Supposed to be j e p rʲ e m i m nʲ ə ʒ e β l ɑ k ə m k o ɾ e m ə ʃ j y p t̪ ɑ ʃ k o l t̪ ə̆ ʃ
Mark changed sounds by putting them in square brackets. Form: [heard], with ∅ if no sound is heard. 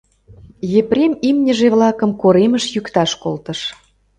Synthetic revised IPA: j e p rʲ e m i m nʲ ə ʒ e β l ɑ k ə m k o ɾ e m ə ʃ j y [k] t̪ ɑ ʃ k o l t̪ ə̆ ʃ

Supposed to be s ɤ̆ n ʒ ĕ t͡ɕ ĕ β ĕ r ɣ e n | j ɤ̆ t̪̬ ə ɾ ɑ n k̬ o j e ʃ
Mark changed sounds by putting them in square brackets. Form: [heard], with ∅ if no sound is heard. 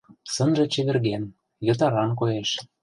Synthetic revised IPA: s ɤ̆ n ʒ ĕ t͡ɕ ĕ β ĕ r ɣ e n | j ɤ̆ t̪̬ [ɑ] ɾ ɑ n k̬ o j e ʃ

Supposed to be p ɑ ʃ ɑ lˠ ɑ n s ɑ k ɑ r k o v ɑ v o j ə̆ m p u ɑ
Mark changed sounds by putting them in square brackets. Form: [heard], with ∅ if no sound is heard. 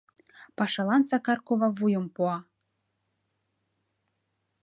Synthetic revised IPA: p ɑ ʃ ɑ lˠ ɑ n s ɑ k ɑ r k o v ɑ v [u] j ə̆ m p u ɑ

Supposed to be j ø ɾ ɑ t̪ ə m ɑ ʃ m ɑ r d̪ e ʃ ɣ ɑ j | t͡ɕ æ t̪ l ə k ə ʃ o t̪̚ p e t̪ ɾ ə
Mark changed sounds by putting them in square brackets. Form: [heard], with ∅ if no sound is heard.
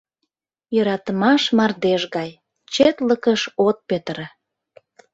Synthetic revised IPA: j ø ɾ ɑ t̪ ə m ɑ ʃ m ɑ r d̪ e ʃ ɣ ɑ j | t͡ɕ [e] t̪ l ə k ə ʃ o t̪̚ p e t̪ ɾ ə

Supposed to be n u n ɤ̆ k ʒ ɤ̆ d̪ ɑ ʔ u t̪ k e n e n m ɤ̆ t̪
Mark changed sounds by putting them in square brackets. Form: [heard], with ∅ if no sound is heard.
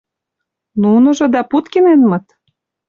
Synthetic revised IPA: n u n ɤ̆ [∅] ʒ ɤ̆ d̪ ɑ [p] u t̪ k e n e n m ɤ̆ t̪

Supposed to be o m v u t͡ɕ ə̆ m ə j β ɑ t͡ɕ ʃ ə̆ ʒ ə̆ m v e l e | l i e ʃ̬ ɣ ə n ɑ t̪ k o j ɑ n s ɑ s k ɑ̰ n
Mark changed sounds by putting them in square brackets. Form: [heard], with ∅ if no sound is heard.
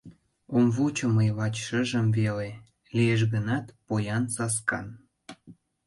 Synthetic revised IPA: o m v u t͡ɕ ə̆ m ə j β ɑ t͡ɕ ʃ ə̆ ʒ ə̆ m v e l e | l i e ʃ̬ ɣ ə n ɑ t̪ [p] o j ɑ n s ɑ s k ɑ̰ n

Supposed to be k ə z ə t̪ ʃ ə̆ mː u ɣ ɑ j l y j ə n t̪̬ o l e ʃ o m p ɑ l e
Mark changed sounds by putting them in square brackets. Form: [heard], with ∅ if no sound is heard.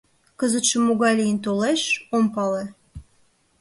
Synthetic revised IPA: k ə z ə t̪ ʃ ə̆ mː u ɣ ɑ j l [i] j ə n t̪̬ o l e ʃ o m p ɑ l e

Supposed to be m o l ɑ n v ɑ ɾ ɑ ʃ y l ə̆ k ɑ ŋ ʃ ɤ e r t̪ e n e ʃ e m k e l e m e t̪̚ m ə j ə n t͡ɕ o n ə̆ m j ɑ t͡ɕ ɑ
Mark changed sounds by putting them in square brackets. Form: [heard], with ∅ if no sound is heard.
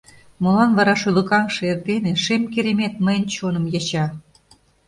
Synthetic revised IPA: m o l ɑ n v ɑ ɾ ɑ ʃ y l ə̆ k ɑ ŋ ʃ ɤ e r t̪ e n e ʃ e m k e [ɾ] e m e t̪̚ m ə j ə n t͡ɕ o n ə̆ m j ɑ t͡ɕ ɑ

